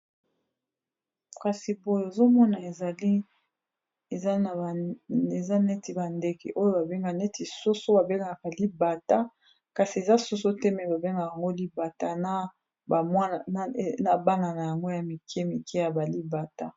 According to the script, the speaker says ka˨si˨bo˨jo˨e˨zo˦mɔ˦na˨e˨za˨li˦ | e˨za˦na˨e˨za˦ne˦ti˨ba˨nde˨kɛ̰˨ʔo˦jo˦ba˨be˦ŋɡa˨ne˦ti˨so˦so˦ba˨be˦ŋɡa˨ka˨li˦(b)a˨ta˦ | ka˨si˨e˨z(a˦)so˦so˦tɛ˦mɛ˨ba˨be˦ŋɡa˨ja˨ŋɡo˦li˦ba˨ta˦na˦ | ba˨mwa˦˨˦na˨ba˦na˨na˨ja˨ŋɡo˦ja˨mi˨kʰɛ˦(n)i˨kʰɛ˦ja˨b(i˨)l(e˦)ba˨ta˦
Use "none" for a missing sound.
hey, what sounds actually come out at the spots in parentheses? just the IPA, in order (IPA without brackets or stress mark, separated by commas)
b, a˦, m, a˨, i˦